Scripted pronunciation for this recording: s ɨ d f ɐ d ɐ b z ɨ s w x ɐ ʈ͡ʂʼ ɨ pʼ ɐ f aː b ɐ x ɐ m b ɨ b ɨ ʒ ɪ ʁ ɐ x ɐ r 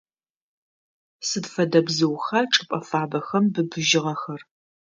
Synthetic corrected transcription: s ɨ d f ɐ d ɐ b z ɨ w x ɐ ʈ͡ʂʼ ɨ pʼ ɐ f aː b ɐ x ɐ m b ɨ b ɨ ʒ ɪ ʁ ɐ x ɐ r

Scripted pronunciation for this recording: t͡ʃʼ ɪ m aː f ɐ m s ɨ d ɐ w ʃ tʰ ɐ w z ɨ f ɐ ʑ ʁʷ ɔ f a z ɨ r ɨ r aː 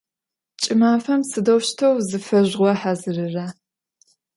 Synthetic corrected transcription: t͡ʃʼ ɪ m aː f ɐ m s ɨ d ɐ w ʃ tʰ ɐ w z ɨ f ɐ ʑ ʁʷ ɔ ħ a z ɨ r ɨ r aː

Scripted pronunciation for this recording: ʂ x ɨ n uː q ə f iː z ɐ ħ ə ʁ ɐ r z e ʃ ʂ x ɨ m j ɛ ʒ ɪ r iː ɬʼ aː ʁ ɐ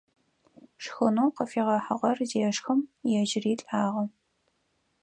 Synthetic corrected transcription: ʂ x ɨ n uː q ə f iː ʁ ɐ ħ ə ʁ ɐ r z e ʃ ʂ x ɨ m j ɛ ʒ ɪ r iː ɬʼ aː ʁ ɐ

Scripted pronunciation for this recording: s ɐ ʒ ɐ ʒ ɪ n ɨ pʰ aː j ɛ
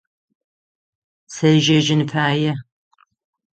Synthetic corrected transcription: s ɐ ʒ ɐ ʒ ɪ n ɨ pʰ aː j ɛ

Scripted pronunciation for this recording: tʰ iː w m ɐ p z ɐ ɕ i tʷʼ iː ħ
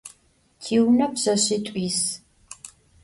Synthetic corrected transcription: tʰ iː w n ɐ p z ɐ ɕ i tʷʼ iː s

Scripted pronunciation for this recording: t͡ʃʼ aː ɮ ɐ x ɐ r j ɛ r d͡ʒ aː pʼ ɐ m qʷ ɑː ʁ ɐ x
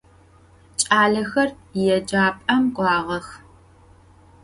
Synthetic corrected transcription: t͡ʃʼ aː ɮ ɐ x ɐ r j ɛ d͡ʒ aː pʼ ɐ m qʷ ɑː ʁ ɐ x

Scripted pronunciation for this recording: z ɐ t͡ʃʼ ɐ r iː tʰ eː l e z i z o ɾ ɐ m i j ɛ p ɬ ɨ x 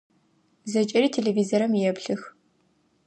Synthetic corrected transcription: z ɐ t͡ʃʼ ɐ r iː tʰ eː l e v i z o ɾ ɐ m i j ɛ p ɬ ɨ x

